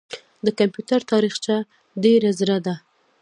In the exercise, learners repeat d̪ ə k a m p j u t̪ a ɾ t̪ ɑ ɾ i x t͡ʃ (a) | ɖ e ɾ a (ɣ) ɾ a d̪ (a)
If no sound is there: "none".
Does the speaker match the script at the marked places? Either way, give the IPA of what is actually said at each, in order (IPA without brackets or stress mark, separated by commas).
a, z, a